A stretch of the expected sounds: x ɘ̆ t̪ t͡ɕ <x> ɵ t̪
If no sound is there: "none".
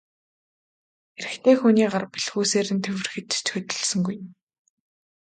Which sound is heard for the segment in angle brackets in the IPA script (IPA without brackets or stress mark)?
x